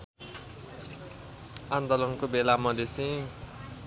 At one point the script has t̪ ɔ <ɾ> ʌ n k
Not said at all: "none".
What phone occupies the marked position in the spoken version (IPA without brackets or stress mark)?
l